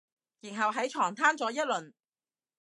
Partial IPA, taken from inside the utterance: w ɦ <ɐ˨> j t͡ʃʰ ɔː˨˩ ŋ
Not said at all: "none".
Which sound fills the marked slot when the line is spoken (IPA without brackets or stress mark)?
ɐ˨˥